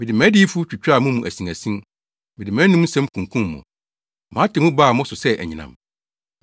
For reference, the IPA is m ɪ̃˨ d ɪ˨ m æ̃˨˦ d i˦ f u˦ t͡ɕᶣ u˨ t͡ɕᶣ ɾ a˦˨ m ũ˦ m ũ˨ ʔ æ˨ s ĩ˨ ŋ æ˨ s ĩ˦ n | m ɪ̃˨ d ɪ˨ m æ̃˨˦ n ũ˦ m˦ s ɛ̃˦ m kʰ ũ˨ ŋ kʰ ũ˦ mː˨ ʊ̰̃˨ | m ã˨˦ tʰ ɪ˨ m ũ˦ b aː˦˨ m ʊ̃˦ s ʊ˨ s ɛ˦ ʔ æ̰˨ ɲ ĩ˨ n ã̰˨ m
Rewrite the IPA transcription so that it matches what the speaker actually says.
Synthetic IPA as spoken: m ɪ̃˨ d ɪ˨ m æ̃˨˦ d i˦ f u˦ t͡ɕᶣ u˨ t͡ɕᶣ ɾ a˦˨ m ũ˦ m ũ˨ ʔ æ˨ s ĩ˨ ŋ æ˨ s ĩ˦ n | m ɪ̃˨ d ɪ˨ m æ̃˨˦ n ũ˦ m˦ s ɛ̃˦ m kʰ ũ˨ ŋ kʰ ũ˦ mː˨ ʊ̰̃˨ | m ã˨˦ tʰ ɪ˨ m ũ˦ b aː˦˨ m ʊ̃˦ s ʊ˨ s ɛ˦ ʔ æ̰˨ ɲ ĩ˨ n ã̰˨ m